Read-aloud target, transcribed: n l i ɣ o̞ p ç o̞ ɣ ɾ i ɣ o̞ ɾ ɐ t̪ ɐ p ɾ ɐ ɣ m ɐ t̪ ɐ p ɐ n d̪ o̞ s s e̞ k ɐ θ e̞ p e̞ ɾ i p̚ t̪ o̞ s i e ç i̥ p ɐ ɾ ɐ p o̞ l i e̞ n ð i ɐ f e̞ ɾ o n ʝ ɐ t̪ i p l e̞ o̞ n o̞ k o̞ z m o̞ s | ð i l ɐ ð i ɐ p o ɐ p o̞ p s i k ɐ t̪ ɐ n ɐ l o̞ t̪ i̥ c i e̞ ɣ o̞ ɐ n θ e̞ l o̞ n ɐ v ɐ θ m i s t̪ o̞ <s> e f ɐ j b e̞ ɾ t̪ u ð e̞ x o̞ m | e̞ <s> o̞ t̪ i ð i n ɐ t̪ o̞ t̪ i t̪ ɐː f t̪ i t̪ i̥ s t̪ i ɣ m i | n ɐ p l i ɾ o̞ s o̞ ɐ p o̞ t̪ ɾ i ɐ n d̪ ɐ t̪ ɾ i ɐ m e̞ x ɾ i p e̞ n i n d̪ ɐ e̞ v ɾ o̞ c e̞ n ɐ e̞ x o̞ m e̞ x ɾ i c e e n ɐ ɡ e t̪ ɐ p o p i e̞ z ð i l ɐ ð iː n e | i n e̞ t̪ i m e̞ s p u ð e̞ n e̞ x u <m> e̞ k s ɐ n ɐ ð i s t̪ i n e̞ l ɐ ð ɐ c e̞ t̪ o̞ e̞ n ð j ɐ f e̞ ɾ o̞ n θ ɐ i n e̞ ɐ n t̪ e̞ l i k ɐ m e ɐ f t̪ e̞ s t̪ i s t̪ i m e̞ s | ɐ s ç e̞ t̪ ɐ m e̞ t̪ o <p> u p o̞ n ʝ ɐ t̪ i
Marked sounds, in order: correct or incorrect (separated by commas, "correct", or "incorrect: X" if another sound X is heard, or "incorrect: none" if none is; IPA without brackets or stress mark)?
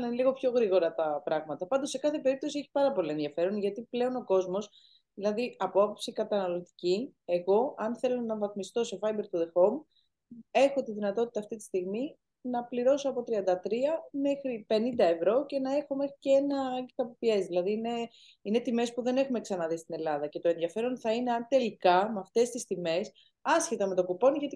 correct, incorrect: x, correct, incorrect: k